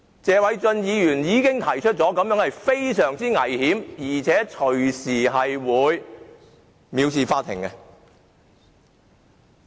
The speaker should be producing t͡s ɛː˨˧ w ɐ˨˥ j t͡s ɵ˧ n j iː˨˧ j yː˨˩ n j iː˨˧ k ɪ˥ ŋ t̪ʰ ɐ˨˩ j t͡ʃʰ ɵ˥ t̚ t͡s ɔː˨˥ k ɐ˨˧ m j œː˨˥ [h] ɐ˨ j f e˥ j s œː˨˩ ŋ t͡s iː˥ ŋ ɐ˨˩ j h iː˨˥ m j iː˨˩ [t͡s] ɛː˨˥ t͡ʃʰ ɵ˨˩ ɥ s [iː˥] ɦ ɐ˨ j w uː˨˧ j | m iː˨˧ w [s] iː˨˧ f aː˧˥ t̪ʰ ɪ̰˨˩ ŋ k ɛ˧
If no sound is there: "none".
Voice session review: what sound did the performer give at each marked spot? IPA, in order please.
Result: h, t͡sʰ, iː˨˩, s

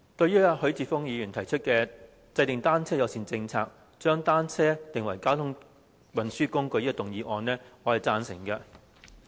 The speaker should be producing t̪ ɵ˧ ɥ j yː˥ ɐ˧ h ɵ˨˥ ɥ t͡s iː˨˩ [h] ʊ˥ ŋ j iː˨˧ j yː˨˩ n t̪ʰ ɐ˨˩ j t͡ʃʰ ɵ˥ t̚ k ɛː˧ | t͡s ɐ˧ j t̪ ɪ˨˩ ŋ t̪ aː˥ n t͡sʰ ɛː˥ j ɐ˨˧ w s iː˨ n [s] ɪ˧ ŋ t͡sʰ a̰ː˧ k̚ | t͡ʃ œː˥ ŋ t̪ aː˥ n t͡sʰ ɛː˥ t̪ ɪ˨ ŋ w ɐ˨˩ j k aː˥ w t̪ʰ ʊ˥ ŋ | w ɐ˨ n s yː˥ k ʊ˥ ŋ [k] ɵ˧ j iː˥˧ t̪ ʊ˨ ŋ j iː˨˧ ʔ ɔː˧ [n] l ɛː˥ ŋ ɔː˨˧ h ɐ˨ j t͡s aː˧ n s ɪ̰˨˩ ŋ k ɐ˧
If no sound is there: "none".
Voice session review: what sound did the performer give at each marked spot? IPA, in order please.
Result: f, t͡s, k, n

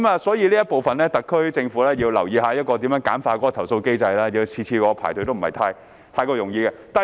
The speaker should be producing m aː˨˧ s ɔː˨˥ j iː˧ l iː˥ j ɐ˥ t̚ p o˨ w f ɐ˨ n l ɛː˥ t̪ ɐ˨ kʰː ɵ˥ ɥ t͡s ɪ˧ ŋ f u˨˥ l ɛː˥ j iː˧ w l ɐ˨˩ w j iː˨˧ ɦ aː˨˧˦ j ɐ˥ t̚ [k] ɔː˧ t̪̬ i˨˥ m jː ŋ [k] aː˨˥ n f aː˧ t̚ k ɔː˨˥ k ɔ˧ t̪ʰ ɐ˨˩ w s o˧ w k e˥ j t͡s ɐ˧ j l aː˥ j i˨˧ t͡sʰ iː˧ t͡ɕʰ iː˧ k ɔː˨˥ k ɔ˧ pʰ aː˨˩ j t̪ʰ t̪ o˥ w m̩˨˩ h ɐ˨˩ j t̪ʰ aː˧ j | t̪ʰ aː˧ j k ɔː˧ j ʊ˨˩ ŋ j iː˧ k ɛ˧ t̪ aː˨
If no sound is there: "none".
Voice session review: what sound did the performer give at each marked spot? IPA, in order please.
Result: k, k

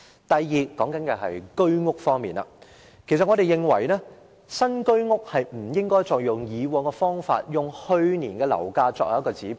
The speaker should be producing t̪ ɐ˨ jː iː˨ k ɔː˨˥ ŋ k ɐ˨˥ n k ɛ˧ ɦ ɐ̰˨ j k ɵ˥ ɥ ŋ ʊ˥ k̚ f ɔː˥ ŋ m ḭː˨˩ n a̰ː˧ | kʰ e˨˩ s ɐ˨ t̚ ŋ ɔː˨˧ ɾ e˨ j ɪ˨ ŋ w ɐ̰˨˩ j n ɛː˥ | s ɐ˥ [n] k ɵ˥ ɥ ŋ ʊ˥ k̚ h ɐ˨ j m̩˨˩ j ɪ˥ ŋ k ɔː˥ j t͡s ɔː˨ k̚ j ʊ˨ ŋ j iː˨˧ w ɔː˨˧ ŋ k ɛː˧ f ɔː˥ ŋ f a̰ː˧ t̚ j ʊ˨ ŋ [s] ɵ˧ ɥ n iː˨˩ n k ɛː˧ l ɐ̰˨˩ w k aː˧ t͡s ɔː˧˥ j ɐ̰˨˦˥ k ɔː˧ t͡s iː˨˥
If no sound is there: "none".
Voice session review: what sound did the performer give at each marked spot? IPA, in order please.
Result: n, h

